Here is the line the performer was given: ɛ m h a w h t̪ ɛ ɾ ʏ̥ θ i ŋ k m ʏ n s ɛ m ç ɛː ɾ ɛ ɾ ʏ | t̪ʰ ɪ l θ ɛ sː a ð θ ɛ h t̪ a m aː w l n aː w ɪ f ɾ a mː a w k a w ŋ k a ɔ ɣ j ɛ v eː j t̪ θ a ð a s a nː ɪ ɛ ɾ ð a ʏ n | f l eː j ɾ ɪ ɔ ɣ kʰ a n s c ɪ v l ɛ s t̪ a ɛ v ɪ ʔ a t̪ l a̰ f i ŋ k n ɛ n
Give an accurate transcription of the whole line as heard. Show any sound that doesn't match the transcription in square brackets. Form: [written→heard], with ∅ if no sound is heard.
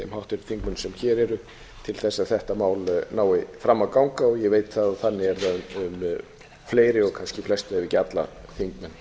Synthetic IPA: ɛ m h a w h t̪ ɛ ɾ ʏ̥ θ i ŋ k m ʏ n s ɛ m ç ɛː ɾ ɛ ɾ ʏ | t̪ʰ ɪ l θ ɛ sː a ð θ ɛ h t̪ a m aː w l n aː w ɪ f ɾ a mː a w k a w ŋ k a ɔ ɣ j ɛ v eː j t̪ θ a ð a [s→θ] a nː ɪ ɛ ɾ ð a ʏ [n→m] | f l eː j ɾ ɪ ɔ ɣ kʰ a n s c ɪ [v→f] l ɛ s t̪ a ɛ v ɪ [ʔ→c] a t̪ l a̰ [f→θ] i ŋ k [n→m] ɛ n

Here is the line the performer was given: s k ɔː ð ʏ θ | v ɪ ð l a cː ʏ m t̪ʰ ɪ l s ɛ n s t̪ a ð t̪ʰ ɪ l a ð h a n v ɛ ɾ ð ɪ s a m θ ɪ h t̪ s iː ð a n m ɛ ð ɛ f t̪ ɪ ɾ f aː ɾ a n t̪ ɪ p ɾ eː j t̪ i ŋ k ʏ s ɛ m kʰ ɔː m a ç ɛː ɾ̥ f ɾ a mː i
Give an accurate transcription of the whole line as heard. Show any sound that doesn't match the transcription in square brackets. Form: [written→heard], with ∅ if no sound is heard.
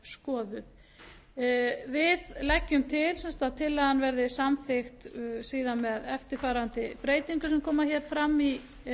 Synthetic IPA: s k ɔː ð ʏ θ | v ɪ ð l [a→ɛ] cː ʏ m t̪ʰ ɪ l s ɛ n s t̪ a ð t̪ʰ ɪ l a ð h a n v ɛ ɾ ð ɪ s a m θ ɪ [h→x] t̪ s iː ð a n m ɛ ð ɛ f t̪ ɪ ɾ f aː ɾ a n t̪ ɪ p ɾ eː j t̪ i ŋ k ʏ s ɛ m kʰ ɔː m a ç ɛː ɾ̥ f ɾ a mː i

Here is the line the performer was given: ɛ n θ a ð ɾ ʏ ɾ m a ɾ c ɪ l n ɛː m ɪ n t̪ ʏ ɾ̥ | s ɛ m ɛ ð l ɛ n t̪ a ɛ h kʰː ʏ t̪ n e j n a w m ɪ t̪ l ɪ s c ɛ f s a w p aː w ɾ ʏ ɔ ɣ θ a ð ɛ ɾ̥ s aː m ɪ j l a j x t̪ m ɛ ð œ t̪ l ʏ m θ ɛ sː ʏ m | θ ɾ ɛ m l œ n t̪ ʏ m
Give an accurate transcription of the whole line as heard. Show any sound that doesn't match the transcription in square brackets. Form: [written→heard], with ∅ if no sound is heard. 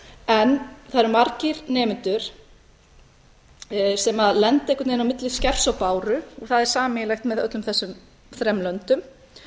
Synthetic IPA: ɛ n θ a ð ɾ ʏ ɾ m a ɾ c ɪ [l→ɾ] n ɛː m ɪ n t̪ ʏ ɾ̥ | s ɛ m [ɛ→a] ð l ɛ n t̪ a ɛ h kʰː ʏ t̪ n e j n a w m ɪ t̪ l ɪ s c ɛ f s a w p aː w ɾ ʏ ɔ ɣ θ a ð ɛ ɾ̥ s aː m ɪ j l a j x t̪ m ɛ ð œ t̪ l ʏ m θ ɛ sː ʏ m | θ ɾ ɛ m l œ n t̪ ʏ m

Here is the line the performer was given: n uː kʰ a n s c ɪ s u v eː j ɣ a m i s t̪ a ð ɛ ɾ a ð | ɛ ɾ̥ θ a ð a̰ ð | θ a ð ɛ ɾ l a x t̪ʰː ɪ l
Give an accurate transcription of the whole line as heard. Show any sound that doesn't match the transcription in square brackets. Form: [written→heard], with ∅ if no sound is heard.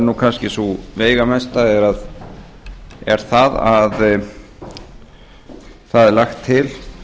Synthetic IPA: n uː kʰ a n s c ɪ s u v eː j ɣ a m [i→ɛ] s t̪ a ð ɛ ɾ a ð | ɛ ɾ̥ θ a ð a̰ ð | θ a ð ɛ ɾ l a x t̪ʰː ɪ l

